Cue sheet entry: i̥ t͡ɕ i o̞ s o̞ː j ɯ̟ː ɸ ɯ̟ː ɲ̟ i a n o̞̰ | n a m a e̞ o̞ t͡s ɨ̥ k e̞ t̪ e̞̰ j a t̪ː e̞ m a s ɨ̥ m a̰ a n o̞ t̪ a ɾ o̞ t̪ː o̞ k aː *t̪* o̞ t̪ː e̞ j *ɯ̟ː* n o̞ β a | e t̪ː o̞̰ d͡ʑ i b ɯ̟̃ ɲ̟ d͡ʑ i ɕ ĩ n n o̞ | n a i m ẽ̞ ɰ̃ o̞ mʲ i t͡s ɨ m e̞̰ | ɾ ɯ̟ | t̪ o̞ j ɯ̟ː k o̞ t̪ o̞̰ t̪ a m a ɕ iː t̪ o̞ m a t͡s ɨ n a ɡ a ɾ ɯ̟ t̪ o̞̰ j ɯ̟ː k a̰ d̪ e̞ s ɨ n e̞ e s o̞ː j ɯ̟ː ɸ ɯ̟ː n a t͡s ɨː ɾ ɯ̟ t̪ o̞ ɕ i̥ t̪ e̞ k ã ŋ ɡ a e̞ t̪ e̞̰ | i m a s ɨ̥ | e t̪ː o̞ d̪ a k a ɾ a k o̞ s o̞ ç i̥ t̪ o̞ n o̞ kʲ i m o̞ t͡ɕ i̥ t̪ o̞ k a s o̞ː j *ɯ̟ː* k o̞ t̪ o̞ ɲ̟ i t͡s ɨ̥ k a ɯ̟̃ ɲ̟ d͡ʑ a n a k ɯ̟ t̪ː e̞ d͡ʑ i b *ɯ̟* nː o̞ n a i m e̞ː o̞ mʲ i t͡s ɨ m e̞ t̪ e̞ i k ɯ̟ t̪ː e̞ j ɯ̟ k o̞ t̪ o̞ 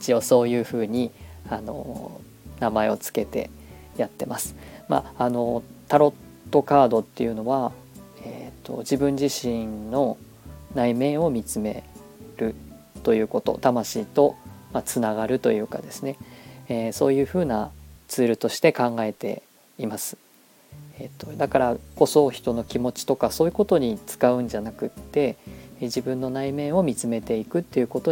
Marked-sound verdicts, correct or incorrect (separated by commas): incorrect, incorrect, incorrect, incorrect